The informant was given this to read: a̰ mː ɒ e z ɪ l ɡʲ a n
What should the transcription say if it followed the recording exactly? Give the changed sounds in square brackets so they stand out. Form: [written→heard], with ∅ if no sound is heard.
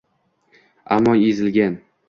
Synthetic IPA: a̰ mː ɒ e z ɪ l ɡʲ a n